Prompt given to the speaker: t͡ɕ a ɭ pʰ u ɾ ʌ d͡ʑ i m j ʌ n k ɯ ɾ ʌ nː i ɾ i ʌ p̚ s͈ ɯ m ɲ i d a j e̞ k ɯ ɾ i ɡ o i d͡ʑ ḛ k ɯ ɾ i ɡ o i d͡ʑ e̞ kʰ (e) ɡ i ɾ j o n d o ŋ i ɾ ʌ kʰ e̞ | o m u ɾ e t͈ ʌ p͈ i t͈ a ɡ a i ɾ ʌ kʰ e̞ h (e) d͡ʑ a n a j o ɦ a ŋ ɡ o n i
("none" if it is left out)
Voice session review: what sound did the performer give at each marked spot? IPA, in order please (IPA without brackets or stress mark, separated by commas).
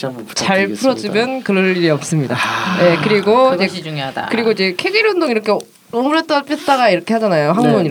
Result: e, a